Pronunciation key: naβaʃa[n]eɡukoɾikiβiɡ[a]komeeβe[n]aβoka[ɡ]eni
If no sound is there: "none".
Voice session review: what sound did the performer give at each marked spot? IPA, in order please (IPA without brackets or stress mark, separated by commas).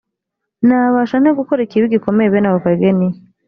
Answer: n, i, n, ɡ